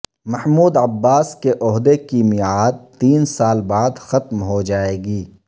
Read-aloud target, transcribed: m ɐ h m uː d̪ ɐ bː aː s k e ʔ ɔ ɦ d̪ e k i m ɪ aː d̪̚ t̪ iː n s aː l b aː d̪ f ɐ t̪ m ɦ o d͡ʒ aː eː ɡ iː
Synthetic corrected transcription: m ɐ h m uː d̪ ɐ bː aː s k e ʔ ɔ ɦ d̪ e k i m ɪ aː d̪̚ t̪ iː n s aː l b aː d̪ x ɐ t̪ m ɦ o d͡ʒ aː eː ɡ iː